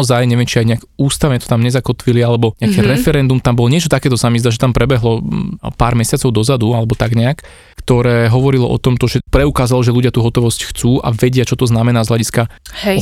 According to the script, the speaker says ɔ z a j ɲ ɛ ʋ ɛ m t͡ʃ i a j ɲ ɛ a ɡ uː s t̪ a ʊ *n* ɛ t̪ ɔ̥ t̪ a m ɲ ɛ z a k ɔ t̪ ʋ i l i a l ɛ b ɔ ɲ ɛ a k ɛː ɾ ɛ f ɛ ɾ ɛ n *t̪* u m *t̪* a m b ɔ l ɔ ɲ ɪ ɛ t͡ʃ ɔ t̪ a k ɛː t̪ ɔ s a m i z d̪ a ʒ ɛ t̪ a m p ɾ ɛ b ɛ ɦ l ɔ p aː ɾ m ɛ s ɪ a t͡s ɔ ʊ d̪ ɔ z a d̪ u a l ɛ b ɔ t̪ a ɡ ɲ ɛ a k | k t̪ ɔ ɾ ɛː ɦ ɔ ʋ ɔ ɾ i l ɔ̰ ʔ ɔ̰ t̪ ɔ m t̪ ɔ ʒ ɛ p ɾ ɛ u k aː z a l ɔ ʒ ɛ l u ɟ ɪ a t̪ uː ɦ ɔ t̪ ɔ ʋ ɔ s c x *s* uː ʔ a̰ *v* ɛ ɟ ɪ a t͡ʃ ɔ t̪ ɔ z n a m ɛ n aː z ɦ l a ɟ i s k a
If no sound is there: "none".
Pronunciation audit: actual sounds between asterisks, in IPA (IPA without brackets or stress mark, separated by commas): ɲ, d̪, t̪, t͡s, ʋ